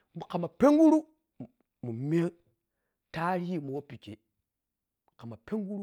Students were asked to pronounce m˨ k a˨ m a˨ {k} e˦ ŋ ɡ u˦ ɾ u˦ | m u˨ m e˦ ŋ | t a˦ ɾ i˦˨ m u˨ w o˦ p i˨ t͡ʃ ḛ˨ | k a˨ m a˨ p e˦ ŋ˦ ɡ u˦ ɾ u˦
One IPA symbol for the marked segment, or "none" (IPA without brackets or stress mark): p